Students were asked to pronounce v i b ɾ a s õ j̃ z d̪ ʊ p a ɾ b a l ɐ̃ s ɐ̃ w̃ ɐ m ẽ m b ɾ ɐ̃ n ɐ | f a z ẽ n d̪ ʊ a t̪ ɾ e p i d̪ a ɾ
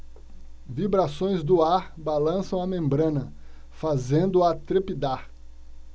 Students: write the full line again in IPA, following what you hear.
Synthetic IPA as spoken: v i b ɾ a s õ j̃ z d̪ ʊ a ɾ b a l ɐ̃ s ɐ̃ w̃ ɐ m ẽ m b ɾ ɐ̃ n ɐ | f a z ẽ n d̪ ʊ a t̪ ɾ e p i d̪ a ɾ